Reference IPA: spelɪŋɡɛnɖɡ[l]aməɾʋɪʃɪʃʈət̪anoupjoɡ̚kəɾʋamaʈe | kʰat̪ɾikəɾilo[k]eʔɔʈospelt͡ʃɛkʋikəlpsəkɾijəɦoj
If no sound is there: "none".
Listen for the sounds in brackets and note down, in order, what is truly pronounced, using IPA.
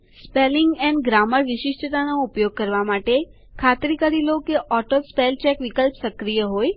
ɾ, k

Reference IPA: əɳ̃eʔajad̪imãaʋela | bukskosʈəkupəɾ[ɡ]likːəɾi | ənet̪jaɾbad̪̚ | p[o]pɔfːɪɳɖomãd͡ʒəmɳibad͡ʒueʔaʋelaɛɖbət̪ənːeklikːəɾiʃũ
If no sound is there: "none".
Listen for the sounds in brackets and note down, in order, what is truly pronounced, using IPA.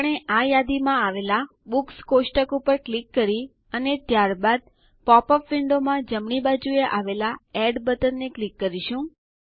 k, ɔ

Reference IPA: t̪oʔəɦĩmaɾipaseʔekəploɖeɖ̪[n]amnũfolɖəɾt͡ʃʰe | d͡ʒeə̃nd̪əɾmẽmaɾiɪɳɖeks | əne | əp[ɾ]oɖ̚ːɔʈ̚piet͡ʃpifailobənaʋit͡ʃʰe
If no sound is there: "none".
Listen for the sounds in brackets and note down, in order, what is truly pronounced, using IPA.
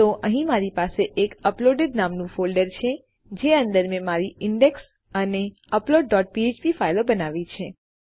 n, l

